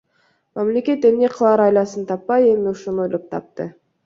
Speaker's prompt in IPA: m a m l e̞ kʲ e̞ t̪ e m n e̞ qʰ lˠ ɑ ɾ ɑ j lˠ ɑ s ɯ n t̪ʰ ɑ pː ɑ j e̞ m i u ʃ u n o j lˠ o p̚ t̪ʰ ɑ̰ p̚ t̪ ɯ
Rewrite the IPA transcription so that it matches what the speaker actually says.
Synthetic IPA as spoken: m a m l e̞ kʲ e̞ t̪ e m n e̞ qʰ lˠ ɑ ɾ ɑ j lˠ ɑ s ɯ n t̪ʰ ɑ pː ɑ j e̞ m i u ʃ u n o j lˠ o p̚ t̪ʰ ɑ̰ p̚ t̪ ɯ